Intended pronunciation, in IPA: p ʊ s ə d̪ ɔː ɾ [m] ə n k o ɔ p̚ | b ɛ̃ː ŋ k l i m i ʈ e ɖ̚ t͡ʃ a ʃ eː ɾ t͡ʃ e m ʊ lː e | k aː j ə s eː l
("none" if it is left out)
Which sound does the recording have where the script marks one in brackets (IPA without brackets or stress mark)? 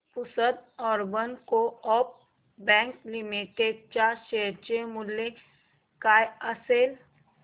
b